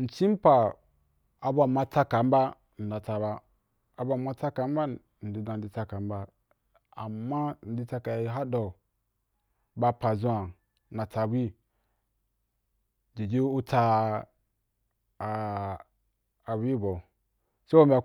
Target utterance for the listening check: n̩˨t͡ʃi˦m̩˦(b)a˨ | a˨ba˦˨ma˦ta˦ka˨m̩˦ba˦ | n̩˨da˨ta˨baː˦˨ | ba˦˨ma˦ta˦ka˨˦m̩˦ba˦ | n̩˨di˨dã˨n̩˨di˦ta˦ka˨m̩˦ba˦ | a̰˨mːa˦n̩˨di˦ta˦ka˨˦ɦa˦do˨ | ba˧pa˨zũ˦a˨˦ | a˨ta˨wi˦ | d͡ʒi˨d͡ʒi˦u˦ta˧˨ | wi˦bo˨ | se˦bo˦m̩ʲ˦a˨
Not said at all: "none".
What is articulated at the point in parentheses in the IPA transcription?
p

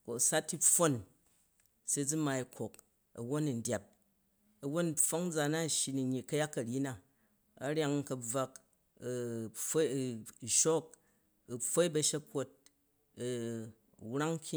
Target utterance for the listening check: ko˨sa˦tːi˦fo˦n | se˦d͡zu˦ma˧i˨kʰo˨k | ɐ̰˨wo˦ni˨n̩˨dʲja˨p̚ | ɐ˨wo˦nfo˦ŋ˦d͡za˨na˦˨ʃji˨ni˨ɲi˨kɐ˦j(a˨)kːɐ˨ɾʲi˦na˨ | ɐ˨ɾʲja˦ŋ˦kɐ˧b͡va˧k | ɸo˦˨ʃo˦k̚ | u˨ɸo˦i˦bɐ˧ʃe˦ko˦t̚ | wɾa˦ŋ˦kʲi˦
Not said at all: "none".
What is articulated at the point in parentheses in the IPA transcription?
a˦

